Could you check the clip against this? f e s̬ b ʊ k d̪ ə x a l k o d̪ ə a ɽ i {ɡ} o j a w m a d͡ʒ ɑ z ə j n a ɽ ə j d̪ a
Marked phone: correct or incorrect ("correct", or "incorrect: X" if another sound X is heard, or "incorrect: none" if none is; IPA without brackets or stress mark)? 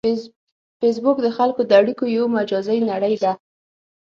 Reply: incorrect: k